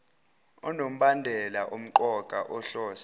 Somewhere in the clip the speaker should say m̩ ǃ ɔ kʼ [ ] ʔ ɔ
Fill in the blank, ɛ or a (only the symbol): a